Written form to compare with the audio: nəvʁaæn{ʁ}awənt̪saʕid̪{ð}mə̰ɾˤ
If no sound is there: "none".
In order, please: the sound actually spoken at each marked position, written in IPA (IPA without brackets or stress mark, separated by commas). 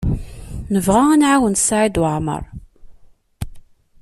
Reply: ʕ, ʕ